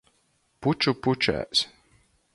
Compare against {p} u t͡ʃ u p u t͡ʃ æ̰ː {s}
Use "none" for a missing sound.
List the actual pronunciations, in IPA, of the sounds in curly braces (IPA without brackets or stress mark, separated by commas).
p, s